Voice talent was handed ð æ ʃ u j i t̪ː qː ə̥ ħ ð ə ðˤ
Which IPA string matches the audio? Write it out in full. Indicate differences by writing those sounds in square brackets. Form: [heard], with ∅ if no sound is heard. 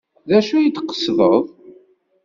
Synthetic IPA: ð æ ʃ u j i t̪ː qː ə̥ [s] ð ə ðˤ